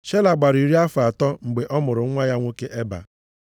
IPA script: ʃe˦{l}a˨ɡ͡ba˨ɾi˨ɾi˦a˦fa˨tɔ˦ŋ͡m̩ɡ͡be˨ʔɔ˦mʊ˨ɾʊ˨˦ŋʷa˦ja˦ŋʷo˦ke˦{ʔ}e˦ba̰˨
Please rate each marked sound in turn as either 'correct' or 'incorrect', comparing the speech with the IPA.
correct, correct

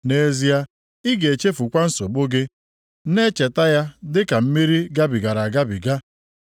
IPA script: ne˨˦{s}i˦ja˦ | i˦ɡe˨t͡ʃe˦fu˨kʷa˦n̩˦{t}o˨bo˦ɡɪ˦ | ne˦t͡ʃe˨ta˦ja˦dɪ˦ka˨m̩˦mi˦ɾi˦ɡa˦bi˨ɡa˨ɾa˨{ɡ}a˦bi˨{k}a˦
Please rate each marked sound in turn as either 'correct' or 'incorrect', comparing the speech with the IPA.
incorrect, incorrect, correct, incorrect

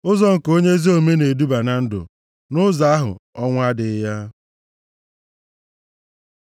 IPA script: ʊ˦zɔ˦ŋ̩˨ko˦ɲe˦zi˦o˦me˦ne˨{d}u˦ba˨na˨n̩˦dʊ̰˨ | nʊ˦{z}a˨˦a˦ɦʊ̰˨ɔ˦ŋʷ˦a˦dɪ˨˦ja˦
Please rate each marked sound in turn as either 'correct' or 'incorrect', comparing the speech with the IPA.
correct, correct

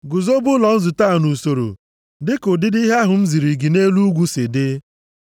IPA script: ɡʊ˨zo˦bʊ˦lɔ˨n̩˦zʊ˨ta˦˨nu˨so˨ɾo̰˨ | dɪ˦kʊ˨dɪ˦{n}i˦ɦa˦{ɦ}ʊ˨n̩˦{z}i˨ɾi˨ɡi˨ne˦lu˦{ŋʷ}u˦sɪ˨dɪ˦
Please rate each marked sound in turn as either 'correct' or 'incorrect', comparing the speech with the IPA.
incorrect, correct, correct, incorrect

